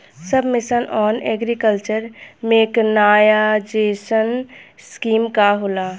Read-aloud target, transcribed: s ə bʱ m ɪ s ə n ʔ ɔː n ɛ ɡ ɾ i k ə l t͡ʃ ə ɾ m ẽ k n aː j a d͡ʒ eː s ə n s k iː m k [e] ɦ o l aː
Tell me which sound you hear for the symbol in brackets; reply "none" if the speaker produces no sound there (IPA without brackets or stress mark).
a